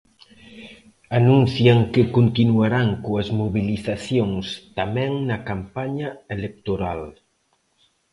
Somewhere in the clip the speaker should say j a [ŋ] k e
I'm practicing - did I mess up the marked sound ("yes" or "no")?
no